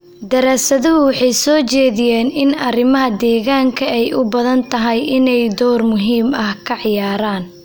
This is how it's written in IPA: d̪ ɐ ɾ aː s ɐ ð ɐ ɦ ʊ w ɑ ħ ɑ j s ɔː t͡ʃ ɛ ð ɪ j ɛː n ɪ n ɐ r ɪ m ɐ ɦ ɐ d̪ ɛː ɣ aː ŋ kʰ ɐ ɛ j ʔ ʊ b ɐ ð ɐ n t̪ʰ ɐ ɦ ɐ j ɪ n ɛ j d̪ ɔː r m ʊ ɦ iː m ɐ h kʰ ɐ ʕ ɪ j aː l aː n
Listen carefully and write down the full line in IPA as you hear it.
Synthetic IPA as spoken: d̪ ɐ ɾ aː s ɐ ð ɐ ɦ ʊ w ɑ ħ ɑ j s ɔː t͡ʃ ɛː ð ɪ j ɛː n ɪ n ɐ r ɪ m ɐ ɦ ɐ d̪ ɛː ɣ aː ŋ kʰ ɐ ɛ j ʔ ʊ b ɐ ð ɐ n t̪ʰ ɐ ɦ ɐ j ɪ n ɛ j d̪ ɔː r m ʊ ɦ iː m ɐ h kʰ ɐ ʕ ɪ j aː ɾ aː n